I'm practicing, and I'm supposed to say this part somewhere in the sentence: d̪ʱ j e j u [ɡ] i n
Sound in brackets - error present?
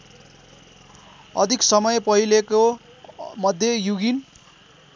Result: no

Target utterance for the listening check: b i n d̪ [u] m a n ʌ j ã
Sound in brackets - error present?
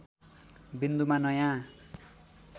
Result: no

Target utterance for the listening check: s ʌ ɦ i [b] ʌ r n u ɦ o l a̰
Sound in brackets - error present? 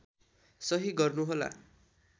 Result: yes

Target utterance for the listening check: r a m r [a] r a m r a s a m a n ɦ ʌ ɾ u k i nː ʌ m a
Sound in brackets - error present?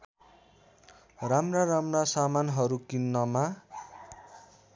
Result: no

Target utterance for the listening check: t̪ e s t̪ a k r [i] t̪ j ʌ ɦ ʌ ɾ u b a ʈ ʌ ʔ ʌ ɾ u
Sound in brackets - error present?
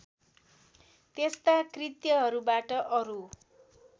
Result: no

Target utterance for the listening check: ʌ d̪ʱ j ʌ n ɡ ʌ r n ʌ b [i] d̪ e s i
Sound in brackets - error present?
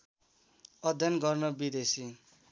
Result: no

